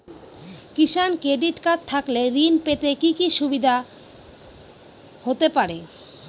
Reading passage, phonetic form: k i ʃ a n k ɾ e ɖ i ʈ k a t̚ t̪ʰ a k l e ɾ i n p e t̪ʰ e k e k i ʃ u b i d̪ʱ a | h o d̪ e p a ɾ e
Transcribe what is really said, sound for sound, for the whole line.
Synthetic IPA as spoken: k i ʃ a n k ɾ e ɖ i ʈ k a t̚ t̪ʰ a k l e ɾ i n p e t̪ e k i k i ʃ u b i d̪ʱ a | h o t̪ e p a ɾ e